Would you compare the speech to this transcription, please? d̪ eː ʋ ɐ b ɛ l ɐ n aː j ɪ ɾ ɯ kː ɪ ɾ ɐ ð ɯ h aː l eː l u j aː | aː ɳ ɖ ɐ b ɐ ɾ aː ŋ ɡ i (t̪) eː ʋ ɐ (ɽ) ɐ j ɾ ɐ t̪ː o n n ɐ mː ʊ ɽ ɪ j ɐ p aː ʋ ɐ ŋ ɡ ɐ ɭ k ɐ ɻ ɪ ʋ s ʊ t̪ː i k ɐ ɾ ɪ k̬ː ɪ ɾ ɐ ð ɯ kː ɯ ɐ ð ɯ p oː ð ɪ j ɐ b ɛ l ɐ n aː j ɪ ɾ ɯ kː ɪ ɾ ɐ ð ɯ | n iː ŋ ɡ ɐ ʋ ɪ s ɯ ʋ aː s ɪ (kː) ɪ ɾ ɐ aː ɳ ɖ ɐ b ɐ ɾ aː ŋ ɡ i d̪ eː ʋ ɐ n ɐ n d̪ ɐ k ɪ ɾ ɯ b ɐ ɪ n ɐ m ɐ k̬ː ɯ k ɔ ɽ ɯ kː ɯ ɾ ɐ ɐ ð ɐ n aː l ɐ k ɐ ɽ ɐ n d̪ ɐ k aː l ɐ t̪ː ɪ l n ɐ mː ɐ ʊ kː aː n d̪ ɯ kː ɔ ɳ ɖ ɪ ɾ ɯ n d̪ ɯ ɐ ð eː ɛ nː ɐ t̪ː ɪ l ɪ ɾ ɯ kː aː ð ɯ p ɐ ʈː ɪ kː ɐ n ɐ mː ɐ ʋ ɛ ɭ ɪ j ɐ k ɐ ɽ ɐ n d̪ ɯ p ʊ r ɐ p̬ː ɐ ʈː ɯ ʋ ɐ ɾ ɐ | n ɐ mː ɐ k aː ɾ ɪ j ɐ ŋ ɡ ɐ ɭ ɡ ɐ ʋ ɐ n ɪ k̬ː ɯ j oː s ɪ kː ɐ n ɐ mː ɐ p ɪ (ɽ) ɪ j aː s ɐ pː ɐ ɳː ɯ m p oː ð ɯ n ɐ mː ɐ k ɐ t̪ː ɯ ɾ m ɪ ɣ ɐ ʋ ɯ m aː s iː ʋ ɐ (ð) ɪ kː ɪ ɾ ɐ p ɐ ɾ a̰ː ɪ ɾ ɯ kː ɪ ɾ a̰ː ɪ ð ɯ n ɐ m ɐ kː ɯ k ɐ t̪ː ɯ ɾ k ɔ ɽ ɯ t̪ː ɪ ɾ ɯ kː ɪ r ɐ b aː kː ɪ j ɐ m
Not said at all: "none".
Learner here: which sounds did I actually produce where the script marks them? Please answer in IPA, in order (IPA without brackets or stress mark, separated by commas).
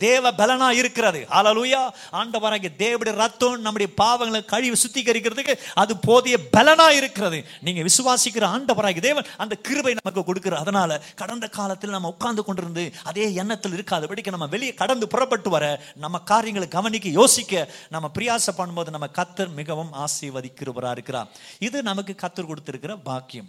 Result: d̪, ɽ, kː, ɾ, ð